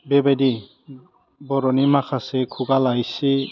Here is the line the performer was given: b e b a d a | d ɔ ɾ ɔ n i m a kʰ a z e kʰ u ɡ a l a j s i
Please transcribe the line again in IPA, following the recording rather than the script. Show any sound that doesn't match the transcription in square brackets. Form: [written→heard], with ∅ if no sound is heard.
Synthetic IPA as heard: b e b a d [a→i] | [d→b] ɔ ɾ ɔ n i m a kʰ a [z→s] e kʰ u ɡ a l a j s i